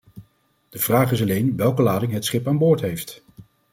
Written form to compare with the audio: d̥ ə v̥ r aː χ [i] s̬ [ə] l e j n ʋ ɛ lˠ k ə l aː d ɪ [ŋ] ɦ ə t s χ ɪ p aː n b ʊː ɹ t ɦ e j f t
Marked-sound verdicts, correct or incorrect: incorrect: ɪ, incorrect: ɑ, correct

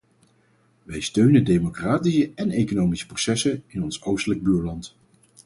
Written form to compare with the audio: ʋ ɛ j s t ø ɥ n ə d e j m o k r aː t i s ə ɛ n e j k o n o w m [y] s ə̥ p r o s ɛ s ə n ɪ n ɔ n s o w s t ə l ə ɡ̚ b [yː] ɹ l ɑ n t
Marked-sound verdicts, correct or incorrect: incorrect: i, correct

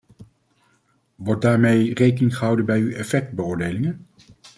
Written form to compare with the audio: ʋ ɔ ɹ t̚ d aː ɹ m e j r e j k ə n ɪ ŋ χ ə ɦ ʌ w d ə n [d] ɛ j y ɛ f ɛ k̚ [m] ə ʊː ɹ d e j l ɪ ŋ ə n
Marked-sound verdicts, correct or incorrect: incorrect: b, incorrect: b

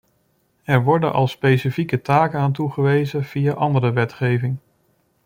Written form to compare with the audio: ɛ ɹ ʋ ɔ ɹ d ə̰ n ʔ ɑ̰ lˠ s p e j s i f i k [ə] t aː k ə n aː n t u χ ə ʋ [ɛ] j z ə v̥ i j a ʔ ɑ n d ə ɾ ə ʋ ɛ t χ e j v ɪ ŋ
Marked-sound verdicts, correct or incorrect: correct, incorrect: e

